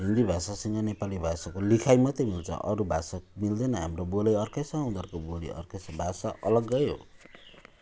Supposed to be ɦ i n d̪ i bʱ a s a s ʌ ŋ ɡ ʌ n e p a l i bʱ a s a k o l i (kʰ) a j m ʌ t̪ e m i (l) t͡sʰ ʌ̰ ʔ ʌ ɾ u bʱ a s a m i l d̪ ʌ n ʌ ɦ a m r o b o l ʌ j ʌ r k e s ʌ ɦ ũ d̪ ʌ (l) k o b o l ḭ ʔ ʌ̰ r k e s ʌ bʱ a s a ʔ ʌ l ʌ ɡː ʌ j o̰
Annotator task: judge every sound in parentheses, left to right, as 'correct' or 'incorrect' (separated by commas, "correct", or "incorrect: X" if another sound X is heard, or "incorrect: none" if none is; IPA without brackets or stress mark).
correct, correct, incorrect: r